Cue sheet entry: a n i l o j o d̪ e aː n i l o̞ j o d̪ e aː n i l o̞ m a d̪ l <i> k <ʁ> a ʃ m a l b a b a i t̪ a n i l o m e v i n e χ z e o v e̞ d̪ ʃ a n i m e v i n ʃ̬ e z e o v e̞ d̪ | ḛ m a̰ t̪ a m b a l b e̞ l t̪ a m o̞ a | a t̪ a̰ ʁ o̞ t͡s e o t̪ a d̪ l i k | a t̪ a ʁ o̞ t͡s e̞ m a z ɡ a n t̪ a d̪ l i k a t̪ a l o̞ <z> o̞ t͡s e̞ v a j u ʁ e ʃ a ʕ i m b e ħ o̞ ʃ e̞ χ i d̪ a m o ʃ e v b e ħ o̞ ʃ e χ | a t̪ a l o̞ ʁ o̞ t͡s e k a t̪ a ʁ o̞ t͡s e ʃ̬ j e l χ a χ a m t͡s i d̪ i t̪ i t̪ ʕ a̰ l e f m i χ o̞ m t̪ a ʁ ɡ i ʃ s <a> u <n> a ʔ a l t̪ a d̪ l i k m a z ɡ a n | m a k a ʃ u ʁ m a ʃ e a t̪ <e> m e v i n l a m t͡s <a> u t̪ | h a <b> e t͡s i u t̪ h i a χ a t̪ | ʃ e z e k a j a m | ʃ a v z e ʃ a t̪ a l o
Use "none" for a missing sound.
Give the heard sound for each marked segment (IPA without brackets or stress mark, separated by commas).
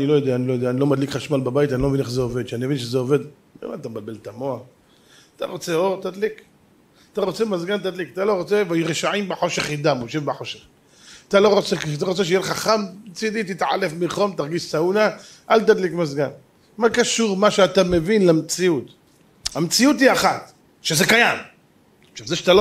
i, χ, ʁ, a, n, a, i, m